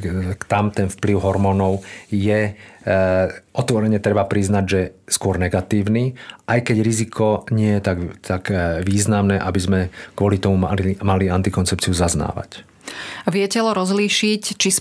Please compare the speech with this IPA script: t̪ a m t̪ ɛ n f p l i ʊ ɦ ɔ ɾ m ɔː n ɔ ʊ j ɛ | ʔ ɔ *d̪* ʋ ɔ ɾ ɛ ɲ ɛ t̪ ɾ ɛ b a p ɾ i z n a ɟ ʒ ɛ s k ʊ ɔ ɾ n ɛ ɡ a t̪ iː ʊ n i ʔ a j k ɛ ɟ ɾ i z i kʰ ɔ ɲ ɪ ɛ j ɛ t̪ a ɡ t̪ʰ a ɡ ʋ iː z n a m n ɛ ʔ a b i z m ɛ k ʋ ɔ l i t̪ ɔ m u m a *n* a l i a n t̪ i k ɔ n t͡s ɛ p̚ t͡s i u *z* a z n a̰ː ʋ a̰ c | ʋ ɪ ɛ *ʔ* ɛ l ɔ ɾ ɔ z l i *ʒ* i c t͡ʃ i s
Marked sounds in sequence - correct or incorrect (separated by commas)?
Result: incorrect, incorrect, correct, incorrect, incorrect